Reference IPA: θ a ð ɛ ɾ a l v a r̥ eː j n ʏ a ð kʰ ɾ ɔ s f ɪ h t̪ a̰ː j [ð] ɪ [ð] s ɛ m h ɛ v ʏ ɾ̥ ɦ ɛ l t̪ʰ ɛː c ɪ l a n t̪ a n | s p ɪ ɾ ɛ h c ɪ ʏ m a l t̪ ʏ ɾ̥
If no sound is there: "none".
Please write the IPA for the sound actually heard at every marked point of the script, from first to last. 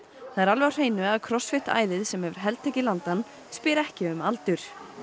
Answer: ð, ð

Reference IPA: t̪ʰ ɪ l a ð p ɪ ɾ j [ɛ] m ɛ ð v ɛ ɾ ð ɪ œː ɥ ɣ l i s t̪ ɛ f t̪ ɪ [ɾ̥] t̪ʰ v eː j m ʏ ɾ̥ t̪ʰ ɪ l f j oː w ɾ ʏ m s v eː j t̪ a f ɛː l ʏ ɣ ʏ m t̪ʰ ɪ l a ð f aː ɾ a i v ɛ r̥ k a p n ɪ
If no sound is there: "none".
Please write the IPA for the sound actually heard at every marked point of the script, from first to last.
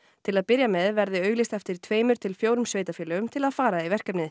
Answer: a, ɾ̥

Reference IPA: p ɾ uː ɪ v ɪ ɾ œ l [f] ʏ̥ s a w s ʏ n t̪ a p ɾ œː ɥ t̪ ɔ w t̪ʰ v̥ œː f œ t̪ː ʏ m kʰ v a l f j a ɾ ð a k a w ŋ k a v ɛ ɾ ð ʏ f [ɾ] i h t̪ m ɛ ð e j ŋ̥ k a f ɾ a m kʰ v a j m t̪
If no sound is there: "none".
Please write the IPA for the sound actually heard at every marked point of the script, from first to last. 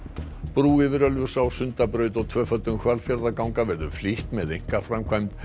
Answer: v, l

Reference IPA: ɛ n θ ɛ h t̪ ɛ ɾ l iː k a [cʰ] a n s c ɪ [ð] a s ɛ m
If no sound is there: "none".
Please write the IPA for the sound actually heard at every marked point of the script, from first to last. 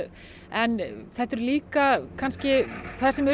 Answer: kʰ, θ

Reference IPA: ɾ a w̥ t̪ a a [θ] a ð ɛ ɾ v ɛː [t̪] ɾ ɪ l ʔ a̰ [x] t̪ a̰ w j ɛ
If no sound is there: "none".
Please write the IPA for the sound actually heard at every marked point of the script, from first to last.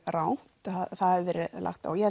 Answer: θ, none, x

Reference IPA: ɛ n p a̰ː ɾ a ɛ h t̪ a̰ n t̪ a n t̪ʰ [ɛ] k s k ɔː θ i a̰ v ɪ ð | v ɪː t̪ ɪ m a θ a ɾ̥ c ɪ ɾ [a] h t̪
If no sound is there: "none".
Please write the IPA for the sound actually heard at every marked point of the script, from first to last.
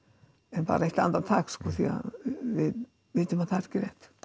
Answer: a, ɛ

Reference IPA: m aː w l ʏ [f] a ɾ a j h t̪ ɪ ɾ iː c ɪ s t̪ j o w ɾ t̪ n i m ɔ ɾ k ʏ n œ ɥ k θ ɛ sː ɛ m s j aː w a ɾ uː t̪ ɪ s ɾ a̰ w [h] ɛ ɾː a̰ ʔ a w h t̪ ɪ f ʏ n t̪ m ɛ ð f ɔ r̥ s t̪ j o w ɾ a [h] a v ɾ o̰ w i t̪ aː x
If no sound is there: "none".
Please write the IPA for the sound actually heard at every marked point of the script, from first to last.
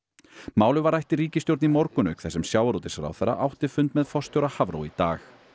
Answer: v, θ, h

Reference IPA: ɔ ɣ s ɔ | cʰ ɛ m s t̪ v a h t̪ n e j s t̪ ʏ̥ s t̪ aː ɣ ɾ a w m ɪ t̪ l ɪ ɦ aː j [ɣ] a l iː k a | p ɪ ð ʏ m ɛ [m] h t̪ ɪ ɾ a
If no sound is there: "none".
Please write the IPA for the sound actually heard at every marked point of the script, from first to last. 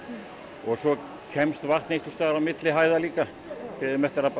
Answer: ð, none

